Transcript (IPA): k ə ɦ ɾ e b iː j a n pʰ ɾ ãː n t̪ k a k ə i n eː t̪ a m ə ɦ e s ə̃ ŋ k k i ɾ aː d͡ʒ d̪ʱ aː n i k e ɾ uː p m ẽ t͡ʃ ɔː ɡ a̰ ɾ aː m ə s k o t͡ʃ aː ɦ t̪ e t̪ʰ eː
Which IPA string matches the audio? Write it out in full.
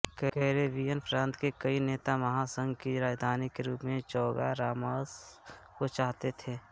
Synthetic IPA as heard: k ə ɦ ɾ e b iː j ə n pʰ ɾ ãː n t̪ k e k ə i n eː t̪ a m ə ɦ a s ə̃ ŋ ɡ k i ɾ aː d͡ʒ d̪ʱ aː n i k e ɾ uː p m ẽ t͡ʃ ɔː ɡ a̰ ɾ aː m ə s k o t͡ʃ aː ɦ t̪ e t̪ʰ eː